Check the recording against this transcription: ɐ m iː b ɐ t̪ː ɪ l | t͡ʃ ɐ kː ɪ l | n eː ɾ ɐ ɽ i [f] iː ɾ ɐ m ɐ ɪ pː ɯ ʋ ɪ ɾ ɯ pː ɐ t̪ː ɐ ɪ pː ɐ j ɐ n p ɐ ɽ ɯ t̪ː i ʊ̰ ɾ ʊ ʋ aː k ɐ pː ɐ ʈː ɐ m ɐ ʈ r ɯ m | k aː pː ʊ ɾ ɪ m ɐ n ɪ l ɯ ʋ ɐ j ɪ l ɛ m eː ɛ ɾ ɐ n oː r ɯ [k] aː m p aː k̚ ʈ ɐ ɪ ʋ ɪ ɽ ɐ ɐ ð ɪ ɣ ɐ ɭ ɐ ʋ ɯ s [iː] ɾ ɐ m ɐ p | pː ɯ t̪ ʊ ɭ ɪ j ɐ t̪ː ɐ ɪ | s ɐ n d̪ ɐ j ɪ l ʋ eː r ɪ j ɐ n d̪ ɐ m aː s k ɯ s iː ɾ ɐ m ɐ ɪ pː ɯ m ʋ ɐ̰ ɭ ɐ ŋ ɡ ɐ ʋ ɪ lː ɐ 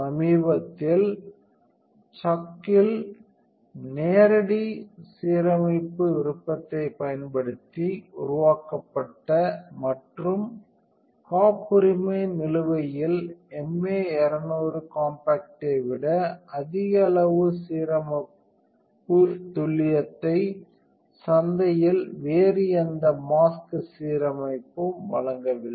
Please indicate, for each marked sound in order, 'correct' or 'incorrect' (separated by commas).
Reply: incorrect, correct, correct